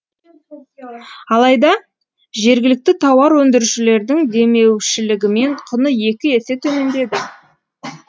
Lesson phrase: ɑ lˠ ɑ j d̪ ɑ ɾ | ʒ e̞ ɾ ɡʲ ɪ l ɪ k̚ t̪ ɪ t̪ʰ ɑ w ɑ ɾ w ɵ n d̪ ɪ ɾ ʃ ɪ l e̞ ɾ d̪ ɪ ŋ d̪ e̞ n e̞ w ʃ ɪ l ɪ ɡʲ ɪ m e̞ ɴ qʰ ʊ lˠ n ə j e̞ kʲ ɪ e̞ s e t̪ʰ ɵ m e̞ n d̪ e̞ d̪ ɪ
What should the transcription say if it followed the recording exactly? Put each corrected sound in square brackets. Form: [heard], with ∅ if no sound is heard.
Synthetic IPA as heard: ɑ lˠ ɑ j d̪ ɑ [∅] | ʒ e̞ ɾ ɡʲ ɪ l ɪ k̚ t̪ ɪ t̪ʰ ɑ w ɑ ɾ w ɵ n d̪ ɪ ɾ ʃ ɪ l e̞ ɾ d̪ ɪ ŋ d̪ e̞ [m] e̞ w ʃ ɪ l ɪ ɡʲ ɪ m e̞ ɴ qʰ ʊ [∅] n ə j e̞ kʲ ɪ e̞ s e t̪ʰ ɵ m e̞ n d̪ e̞ d̪ ɪ